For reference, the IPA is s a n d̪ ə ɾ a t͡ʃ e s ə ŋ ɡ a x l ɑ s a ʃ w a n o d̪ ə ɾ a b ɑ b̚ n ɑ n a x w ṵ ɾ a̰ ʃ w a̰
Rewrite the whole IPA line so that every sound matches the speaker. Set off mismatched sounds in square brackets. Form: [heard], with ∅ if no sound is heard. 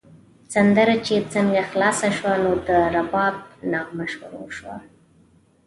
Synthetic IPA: s a n d̪ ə ɾ a t͡ʃ e [t͡s] ə ŋ ɡ a x l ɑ s a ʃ w a n o d̪ ə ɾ a b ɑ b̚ n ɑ [m] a [ʃ] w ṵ ɾ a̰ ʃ w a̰